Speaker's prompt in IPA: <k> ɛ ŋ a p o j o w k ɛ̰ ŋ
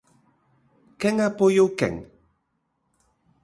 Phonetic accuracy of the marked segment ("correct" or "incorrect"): correct